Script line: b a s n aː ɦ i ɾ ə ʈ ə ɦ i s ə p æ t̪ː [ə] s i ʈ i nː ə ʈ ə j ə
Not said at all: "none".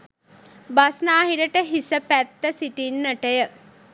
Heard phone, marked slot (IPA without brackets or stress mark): ə